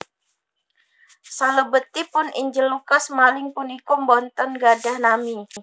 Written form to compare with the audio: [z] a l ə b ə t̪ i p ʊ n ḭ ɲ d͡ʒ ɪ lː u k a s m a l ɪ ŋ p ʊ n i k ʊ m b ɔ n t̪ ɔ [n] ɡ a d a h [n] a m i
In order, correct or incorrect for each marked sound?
incorrect, correct, correct

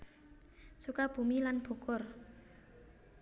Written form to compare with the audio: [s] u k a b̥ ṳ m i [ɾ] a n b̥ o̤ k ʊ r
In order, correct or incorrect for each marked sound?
correct, incorrect

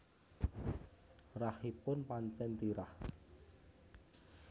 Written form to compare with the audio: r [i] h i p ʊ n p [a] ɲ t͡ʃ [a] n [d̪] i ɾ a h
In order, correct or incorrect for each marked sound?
incorrect, correct, incorrect, incorrect

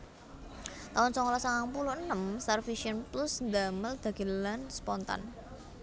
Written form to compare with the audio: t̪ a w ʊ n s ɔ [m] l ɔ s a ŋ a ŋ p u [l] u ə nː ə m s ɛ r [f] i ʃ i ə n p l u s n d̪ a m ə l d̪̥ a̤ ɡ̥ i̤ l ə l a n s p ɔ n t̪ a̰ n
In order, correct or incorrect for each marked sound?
incorrect, correct, correct

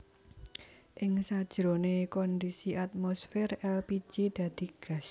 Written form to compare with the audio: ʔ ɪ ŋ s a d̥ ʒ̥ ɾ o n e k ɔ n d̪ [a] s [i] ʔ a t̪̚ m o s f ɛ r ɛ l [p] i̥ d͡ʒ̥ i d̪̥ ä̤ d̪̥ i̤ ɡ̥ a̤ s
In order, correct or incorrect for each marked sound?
incorrect, correct, correct

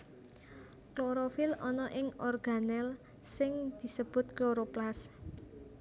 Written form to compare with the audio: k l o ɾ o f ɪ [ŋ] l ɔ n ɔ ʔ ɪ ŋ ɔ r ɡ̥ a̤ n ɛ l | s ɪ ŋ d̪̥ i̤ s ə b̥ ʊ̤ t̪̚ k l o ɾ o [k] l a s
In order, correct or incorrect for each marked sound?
incorrect, incorrect

